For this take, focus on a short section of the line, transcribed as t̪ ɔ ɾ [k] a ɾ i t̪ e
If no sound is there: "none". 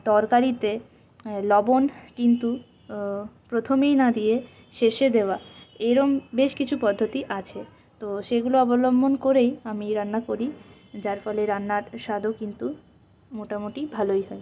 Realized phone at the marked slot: k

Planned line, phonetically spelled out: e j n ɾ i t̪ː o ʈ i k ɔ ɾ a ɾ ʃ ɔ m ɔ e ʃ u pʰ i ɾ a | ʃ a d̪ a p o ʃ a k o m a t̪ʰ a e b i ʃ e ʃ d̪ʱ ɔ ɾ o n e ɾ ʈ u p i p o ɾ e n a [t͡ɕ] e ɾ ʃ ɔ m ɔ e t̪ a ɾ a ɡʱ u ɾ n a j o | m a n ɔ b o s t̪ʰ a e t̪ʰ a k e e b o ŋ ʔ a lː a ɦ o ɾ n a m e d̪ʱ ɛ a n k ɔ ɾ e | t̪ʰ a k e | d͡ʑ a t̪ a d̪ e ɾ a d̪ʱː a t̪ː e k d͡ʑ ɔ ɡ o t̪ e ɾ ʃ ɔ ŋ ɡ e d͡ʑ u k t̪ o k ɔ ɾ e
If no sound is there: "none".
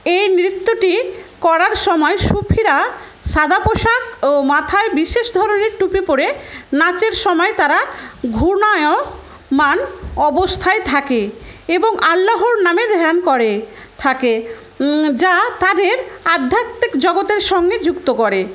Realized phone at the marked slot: t͡ɕ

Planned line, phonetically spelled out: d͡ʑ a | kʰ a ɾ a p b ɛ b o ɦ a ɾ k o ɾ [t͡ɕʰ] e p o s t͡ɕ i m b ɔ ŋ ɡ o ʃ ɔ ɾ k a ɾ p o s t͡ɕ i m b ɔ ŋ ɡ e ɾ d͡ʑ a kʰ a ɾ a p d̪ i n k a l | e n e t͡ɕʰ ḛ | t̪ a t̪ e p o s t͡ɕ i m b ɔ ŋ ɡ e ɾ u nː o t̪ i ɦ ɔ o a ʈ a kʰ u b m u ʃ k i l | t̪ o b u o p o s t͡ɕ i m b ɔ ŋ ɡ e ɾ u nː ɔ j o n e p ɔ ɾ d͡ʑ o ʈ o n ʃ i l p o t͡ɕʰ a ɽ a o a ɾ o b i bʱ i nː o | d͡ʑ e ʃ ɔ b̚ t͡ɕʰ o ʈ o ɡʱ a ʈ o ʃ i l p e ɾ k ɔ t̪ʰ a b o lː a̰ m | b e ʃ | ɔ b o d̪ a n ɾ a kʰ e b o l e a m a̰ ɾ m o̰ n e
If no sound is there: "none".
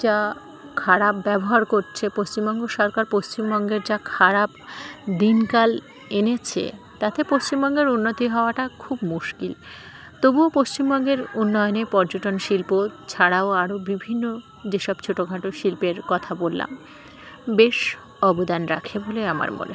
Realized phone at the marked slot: t͡ɕʰ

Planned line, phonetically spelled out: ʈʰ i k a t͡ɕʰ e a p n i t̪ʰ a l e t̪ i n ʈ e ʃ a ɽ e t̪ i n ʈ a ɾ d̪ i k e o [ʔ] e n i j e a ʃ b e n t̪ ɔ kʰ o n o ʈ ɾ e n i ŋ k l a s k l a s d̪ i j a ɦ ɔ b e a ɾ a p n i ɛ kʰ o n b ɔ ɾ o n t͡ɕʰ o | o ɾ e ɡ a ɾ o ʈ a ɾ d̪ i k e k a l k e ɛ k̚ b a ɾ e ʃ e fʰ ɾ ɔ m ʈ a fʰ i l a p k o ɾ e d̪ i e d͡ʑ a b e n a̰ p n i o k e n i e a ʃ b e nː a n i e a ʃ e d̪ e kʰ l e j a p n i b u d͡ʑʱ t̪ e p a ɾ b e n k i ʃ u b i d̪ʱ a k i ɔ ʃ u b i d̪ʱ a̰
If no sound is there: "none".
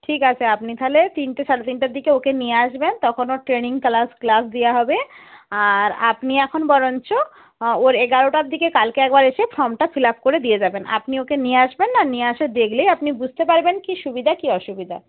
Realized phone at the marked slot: k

